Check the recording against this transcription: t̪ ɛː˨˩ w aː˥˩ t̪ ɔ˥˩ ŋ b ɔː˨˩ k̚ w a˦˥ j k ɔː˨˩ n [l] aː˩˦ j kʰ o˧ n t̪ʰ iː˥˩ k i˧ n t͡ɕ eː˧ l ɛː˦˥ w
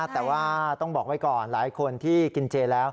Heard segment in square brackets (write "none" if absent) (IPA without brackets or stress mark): l